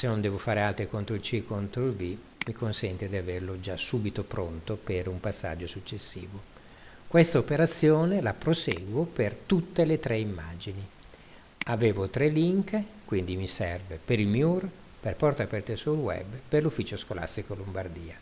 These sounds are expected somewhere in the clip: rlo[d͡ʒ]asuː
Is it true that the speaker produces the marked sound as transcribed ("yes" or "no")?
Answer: yes